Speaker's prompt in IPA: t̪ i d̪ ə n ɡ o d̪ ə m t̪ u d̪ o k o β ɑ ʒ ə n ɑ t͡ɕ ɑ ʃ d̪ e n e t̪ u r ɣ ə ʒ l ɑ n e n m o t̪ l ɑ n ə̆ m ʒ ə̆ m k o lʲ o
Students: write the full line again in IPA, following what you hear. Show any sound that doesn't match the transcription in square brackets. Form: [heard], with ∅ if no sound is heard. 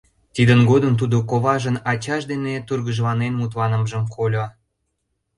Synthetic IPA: t̪ i d̪ ə n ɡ o d̪ ə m t̪ u d̪ o k o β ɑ ʒ ə n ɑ t͡ɕ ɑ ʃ d̪ e n e t̪ u r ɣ ə ʒ l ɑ n e n m [u] t̪ l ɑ n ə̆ m ʒ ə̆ m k o lʲ o